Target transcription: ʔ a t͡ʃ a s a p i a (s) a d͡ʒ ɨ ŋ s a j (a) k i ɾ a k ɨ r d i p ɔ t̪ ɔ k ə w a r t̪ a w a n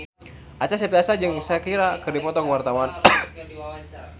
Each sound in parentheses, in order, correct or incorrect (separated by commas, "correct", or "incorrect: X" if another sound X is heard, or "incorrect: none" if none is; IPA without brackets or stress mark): correct, correct